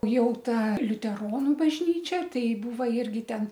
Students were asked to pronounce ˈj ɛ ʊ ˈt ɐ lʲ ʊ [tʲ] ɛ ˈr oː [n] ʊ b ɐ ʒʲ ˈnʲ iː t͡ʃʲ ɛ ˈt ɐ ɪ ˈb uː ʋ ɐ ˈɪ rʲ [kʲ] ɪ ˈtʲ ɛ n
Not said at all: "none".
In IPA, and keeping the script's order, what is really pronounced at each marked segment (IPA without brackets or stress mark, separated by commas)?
tʲ, n, ɡʲ